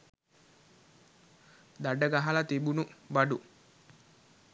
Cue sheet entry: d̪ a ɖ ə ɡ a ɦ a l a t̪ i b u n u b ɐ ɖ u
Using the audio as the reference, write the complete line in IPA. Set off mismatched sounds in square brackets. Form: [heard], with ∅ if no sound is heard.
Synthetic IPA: d̪ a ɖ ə ɡ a ɦ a l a t̪ i b u n u b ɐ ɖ u